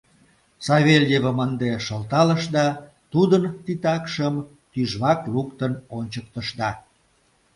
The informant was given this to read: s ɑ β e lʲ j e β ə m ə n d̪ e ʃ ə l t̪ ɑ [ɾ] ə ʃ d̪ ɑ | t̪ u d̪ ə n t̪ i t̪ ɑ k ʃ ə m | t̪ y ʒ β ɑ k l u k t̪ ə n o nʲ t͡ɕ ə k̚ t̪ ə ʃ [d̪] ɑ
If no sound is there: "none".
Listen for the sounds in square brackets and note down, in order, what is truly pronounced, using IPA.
l, d̪

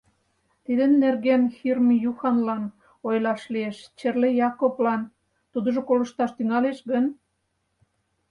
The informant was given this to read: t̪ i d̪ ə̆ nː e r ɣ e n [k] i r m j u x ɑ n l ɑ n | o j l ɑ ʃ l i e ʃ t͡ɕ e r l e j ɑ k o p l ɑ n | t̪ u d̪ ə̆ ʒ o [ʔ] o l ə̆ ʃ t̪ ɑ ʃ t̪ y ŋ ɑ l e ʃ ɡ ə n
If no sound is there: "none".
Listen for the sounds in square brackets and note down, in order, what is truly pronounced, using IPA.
x, k

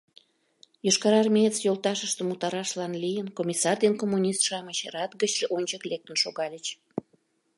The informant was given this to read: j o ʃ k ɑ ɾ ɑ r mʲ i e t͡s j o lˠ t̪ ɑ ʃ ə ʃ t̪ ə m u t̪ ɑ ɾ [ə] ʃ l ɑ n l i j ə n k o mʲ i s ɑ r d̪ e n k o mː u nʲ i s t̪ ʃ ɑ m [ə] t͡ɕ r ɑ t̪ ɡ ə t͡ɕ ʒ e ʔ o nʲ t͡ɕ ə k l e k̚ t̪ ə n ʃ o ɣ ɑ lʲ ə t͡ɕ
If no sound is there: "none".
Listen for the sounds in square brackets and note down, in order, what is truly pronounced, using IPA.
ɑ, ə

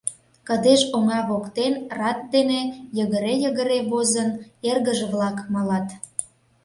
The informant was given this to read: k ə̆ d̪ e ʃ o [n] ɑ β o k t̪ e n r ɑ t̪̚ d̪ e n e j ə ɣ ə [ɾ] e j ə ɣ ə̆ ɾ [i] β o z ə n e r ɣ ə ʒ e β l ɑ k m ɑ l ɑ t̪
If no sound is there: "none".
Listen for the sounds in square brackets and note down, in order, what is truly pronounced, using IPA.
ŋ, ɾ, e

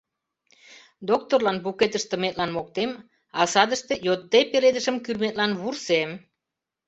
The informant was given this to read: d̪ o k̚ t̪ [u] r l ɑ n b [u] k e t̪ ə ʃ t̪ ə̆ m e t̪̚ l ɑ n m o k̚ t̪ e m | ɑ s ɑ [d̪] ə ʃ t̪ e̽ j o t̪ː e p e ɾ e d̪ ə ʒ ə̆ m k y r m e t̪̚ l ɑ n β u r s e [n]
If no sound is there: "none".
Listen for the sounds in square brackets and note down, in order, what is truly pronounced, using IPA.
o, u, d̪, m

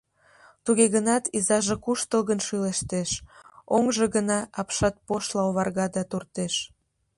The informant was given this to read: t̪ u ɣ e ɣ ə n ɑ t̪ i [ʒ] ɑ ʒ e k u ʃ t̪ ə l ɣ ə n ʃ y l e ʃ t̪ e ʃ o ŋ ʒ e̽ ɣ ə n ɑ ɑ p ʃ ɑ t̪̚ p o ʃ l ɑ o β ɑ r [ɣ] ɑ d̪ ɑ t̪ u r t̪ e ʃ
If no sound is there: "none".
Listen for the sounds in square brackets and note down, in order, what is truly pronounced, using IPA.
z, ɣ

